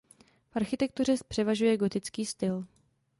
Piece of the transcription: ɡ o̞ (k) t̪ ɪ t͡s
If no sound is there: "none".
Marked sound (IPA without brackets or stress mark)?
none